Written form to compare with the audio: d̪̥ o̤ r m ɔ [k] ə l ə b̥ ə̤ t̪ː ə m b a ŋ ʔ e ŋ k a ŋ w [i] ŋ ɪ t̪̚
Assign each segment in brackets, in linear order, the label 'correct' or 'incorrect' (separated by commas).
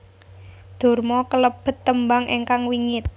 correct, correct